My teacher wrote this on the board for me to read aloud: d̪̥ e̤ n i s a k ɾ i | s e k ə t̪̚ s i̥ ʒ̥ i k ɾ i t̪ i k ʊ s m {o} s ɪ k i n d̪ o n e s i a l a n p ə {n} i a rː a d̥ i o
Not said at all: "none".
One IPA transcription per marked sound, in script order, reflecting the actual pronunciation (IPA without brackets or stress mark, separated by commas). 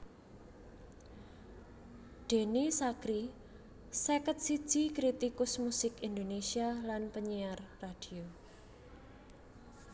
u, ɲ